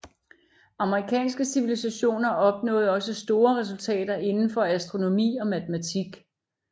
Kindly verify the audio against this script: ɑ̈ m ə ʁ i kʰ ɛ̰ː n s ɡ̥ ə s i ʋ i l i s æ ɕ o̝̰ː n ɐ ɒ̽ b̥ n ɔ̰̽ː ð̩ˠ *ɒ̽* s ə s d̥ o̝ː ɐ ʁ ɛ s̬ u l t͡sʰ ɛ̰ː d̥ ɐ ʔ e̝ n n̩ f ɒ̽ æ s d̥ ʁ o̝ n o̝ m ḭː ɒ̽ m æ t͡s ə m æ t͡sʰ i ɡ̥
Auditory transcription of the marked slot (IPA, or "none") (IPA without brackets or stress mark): ɒ̽